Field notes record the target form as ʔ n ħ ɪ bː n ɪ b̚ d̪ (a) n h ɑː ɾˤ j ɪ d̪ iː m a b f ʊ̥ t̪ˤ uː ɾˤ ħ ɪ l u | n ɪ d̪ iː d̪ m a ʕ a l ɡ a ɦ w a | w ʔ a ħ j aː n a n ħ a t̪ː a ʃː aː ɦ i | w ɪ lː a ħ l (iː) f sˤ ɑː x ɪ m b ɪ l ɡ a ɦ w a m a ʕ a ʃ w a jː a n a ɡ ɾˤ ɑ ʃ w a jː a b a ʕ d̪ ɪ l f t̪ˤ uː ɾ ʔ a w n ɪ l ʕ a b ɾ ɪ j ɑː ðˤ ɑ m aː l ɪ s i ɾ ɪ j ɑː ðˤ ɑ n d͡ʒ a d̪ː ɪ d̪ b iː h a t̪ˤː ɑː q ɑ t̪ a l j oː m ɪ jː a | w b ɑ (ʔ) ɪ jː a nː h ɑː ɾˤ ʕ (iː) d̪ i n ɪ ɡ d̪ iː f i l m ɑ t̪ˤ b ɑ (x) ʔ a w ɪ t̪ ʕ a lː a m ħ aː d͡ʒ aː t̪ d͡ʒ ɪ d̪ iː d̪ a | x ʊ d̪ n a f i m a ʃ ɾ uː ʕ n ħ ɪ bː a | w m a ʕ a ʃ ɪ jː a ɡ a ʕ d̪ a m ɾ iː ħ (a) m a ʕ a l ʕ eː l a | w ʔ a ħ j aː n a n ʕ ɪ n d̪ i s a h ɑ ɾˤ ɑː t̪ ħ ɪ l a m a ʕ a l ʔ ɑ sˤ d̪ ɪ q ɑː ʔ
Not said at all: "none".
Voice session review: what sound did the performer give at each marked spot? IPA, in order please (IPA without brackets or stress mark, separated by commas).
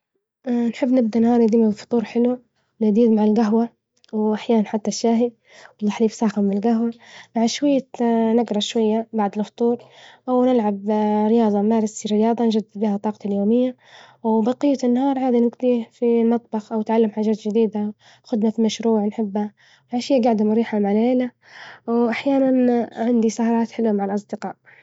a, iː, q, aː, x, a